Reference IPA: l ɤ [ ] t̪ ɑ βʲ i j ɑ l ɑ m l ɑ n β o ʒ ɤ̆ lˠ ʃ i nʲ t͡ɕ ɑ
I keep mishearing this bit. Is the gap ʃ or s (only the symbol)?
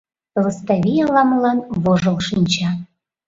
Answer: s